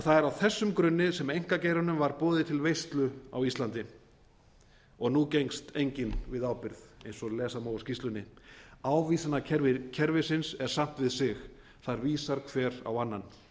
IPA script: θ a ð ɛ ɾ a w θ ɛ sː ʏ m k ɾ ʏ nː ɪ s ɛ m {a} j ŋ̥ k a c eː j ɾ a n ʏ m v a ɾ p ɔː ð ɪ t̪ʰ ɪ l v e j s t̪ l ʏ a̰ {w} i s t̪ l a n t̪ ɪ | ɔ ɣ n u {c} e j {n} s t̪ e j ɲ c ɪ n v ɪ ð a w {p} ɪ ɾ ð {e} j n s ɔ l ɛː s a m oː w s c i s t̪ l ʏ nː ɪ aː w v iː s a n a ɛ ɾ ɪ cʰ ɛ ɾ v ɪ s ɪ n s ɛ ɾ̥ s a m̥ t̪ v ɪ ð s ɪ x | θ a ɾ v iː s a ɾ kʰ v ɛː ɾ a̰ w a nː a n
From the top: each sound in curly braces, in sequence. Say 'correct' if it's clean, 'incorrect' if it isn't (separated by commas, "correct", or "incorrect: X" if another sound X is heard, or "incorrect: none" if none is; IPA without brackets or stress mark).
incorrect: e, correct, correct, incorrect: ŋ, correct, correct